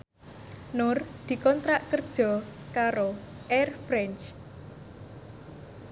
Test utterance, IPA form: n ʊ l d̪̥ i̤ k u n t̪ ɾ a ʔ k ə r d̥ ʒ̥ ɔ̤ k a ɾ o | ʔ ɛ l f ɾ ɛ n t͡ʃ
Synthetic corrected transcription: n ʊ r d̪̥ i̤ k ɔ n t̪ ɾ a ʔ k ə r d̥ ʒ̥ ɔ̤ k a ɾ o | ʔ ɛ r f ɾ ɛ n t͡ʃ